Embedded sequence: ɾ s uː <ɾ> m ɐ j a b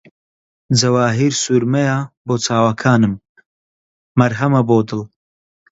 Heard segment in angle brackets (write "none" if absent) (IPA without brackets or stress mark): ɾ